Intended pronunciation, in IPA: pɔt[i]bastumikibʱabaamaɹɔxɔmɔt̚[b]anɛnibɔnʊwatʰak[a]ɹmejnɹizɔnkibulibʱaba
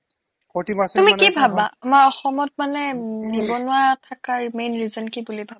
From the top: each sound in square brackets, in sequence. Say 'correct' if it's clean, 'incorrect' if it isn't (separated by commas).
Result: correct, incorrect, correct